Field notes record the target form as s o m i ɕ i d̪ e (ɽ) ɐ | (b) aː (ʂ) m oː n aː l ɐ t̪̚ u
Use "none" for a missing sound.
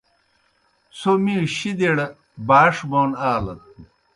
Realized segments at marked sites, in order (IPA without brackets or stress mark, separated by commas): ɽ, b, ʂ